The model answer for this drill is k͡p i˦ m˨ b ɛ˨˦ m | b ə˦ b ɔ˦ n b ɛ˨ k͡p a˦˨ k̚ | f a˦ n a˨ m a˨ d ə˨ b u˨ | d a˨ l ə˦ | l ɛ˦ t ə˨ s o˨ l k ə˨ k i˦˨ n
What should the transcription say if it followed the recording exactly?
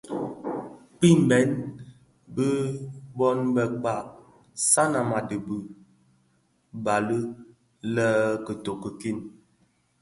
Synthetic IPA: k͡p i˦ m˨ b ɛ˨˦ n | b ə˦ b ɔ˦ n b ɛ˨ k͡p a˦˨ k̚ | s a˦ n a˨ m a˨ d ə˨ b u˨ | b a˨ l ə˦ | l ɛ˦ k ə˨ t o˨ k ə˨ k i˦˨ n